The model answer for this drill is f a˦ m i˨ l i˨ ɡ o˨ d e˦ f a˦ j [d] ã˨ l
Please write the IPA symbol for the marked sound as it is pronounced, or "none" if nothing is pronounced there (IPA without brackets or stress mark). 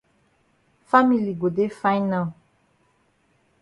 n